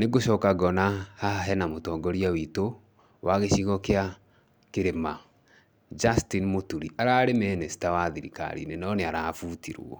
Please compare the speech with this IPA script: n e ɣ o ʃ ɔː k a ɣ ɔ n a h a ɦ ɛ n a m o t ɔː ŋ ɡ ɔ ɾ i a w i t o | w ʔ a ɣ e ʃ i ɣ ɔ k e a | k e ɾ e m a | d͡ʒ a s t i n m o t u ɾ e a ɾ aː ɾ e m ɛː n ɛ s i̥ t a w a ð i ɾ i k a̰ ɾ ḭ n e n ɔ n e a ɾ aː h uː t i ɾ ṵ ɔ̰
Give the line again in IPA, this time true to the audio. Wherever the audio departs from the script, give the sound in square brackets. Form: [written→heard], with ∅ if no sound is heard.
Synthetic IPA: n e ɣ o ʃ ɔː k a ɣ ɔ n a h a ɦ ɛ n a m o t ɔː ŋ ɡ ɔ ɾ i a w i t o | w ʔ a ɣ e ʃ i ɣ ɔ k e a | k e ɾ e m a | d͡ʒ a s t i n m o t u ɾ [e→i] a ɾ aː ɾ e m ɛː n ɛ s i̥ t a w a ð i ɾ i k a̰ ɾ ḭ n e n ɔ n e a ɾ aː [h→f] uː t i ɾ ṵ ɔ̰